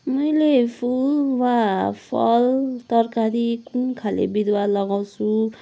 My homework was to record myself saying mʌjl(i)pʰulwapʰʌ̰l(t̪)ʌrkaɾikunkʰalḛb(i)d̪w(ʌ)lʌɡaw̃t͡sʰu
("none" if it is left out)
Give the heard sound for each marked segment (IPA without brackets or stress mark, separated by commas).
e, t̪, i, a